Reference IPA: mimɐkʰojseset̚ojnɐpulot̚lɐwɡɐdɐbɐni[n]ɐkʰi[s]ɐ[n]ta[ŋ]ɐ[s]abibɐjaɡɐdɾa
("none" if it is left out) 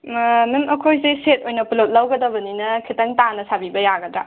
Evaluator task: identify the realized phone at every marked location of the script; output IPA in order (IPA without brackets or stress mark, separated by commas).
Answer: n, t, ŋ, n, s